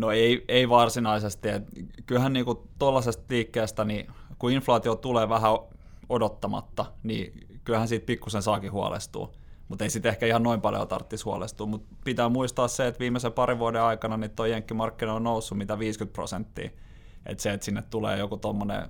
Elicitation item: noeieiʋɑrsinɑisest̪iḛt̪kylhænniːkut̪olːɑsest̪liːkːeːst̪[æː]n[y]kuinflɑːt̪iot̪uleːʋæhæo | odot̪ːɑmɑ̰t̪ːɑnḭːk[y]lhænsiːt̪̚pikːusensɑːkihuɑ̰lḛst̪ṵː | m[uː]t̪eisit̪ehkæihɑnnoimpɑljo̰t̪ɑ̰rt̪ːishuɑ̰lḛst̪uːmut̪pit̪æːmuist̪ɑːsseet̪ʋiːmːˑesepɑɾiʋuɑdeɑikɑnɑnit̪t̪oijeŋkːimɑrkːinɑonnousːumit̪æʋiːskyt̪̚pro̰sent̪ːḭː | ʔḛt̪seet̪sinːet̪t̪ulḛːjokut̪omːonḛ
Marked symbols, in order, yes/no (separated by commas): no, no, yes, no